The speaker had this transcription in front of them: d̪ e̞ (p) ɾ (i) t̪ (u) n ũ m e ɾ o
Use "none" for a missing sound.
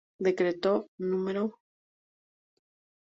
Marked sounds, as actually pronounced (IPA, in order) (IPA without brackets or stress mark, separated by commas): k, e, o